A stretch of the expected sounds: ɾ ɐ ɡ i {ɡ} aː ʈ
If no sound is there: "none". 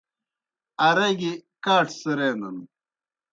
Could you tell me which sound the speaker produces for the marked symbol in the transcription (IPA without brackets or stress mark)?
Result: k